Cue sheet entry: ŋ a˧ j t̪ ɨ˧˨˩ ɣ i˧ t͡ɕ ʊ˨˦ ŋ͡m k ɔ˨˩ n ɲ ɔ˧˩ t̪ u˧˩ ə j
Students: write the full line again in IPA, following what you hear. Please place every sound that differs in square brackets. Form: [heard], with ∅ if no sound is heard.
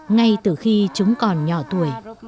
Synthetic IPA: ŋ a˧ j t̪ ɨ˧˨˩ [x] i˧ t͡ɕ ʊ˨˦ ŋ͡m k ɔ˨˩ n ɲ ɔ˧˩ t̪ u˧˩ ə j

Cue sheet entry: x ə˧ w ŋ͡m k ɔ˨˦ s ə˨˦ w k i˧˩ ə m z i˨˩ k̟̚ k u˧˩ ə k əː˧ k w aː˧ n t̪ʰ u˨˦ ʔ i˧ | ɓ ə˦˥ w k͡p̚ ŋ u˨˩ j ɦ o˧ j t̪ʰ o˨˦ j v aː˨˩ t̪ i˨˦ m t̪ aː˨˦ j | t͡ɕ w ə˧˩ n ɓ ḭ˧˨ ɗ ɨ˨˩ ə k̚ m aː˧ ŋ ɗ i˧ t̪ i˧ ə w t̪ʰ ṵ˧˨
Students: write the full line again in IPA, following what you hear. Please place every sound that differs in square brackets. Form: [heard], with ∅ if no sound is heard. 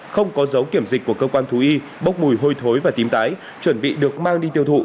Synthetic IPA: x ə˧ w ŋ͡m k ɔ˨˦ [z] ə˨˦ w k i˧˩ ə m z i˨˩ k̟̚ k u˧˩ ə k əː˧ k w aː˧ n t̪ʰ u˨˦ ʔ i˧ | ɓ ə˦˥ w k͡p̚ [m] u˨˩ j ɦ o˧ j t̪ʰ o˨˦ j v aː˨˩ t̪ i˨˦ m t̪ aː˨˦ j | t͡ɕ w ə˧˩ n ɓ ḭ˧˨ ɗ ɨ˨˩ ə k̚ m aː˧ ŋ ɗ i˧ t̪ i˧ ə w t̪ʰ ṵ˧˨

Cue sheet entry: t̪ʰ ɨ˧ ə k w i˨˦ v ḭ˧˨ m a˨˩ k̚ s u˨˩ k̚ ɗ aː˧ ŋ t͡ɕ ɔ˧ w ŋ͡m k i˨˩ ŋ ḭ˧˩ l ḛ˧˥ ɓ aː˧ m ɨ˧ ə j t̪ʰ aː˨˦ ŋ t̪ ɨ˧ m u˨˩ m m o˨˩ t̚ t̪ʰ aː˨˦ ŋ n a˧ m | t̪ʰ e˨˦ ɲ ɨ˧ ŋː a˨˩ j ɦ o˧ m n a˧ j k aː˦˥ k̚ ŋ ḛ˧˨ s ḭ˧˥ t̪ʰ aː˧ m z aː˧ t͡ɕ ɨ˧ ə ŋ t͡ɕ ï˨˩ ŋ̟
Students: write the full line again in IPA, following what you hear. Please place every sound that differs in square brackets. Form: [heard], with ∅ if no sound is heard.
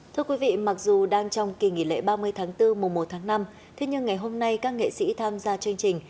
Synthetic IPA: t̪ʰ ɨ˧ ə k w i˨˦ v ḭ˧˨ m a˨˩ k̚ [z] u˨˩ [∅] ɗ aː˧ ŋ t͡ɕ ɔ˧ w ŋ͡m k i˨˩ ŋ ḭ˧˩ l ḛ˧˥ ɓ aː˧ m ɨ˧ ə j t̪ʰ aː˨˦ ŋ t̪ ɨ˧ m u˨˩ [ŋ͡m] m o˨˩ t̚ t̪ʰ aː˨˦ ŋ n a˧ m | t̪ʰ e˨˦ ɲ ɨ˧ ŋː a˨˩ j ɦ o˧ m n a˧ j k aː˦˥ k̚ ŋ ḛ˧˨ s ḭ˧˥ t̪ʰ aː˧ m z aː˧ t͡ɕ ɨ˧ ə ŋ t͡ɕ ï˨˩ ŋ̟

